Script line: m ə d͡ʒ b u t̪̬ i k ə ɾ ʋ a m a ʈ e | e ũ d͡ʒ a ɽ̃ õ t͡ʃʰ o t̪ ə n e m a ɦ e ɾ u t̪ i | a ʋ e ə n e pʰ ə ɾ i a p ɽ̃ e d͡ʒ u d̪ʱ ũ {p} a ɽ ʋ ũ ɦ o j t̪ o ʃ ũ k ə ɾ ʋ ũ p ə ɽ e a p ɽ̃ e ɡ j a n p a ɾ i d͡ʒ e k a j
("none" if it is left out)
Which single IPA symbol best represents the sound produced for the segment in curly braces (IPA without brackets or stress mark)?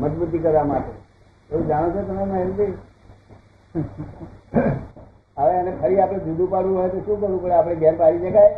p